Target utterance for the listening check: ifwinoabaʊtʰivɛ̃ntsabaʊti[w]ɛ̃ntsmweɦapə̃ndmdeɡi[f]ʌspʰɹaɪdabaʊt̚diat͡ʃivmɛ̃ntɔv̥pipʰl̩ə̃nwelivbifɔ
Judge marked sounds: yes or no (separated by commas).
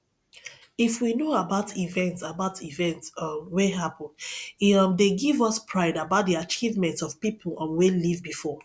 no, no